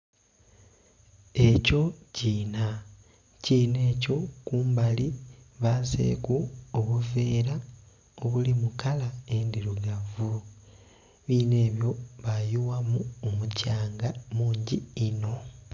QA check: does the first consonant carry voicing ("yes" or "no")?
no